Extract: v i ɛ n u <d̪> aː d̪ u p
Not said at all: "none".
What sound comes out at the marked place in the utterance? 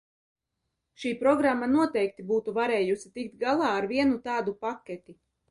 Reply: t̪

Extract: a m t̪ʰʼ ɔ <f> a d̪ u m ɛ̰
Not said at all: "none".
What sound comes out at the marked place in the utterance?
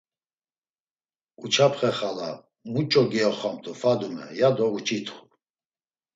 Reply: f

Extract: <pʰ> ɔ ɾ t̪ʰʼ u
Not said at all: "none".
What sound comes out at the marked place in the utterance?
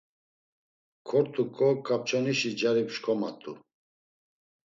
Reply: kʰ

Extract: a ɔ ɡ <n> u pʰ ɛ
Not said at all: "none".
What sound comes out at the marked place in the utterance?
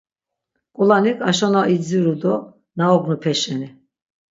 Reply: n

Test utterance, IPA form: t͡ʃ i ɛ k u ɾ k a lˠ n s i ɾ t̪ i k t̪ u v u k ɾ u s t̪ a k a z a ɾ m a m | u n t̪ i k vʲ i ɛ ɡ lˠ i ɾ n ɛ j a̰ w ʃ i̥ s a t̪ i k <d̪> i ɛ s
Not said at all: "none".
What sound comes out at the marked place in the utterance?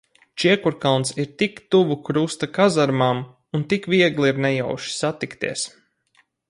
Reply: t̪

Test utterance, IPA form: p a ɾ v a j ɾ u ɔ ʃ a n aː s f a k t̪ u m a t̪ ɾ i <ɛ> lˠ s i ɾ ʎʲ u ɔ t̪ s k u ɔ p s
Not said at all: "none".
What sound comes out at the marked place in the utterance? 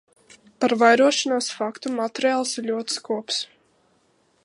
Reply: a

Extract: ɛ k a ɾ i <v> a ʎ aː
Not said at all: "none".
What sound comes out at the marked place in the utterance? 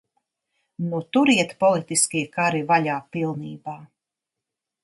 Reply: v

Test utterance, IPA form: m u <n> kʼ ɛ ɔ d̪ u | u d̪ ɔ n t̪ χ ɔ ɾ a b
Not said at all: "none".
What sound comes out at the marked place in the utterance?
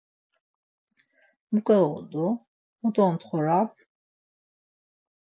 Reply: none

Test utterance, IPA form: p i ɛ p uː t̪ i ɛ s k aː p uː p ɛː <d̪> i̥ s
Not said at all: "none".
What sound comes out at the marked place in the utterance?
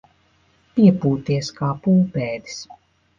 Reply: d̪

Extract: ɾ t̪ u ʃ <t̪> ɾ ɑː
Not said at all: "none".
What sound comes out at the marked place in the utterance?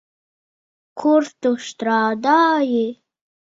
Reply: t̪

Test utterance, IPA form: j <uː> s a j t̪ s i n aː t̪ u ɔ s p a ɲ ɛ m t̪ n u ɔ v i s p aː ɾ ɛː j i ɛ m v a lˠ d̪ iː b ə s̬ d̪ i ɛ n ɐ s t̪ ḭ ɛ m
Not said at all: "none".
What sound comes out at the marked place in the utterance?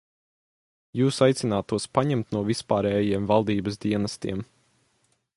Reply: uː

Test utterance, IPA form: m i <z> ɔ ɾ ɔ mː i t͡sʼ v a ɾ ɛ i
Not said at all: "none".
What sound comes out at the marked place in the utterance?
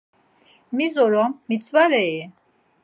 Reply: z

